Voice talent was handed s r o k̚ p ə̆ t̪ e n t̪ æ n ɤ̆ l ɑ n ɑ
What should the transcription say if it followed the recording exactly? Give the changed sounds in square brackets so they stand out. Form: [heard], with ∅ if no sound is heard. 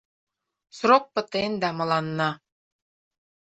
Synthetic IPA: s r o k̚ p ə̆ t̪ e n [d̪] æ [m] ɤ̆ l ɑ [nː] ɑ